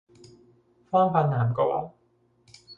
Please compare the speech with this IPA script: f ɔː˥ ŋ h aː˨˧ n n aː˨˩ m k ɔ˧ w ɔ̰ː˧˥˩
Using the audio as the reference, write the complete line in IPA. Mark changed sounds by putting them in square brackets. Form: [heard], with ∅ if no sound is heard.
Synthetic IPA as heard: f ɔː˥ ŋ [f] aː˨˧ n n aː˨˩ m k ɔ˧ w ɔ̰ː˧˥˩